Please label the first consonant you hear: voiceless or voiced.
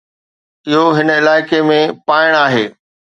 voiced